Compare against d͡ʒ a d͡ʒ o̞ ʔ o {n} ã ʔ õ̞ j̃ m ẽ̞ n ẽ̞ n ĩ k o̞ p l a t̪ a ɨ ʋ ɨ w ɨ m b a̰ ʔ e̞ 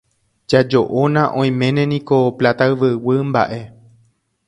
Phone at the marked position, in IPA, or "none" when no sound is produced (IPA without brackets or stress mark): n